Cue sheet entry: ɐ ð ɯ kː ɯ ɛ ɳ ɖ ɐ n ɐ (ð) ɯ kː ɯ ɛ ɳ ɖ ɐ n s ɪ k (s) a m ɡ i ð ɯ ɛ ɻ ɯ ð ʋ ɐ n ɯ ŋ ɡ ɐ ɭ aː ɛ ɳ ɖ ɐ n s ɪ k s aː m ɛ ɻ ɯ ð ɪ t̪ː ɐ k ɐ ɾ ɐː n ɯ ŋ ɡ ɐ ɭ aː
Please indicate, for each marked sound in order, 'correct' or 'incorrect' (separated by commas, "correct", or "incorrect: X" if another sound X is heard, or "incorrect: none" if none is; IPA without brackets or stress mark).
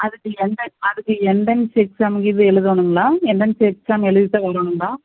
correct, correct